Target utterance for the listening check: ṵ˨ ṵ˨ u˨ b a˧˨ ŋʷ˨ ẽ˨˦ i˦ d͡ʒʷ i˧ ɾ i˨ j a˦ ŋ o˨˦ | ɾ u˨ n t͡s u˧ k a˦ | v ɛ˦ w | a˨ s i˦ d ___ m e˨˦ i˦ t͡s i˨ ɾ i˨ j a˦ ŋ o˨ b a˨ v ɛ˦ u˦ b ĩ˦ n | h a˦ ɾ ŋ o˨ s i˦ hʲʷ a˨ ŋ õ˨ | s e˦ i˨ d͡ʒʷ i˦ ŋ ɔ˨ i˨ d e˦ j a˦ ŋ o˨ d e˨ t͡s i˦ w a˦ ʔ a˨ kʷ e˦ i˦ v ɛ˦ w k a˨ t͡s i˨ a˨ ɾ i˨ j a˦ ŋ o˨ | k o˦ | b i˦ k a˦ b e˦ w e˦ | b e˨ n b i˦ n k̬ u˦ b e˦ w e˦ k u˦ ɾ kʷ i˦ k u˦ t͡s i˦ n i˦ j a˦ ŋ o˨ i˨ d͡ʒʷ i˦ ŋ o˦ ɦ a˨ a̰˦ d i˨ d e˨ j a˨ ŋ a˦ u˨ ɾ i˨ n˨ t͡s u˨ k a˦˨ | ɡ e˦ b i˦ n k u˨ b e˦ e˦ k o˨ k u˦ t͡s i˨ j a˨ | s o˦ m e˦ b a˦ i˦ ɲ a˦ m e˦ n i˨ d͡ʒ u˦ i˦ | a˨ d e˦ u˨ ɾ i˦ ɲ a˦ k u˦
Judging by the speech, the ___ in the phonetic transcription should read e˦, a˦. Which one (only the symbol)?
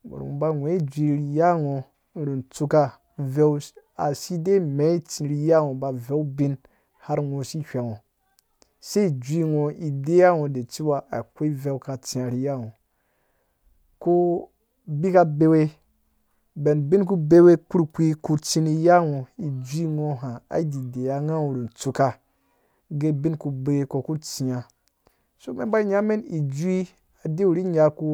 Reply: e˦